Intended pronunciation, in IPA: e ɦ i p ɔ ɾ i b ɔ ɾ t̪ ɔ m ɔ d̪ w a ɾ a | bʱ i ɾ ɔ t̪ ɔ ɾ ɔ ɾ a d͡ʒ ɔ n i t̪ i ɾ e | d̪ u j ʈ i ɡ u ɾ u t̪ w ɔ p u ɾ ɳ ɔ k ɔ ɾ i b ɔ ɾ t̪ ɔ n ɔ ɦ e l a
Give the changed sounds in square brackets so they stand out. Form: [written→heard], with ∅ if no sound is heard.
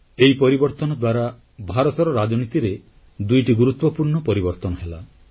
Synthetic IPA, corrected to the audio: e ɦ i p ɔ ɾ i b ɔ ɾ t̪ ɔ [m→n] ɔ d̪ w a ɾ a | bʱ [i→a] ɾ ɔ t̪ ɔ ɾ ɔ ɾ a d͡ʒ ɔ n i t̪ i ɾ e | d̪ u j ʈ i ɡ u ɾ u t̪ w ɔ p u ɾ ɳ ɔ [k→p] ɔ ɾ i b ɔ ɾ t̪ ɔ n ɔ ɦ e l a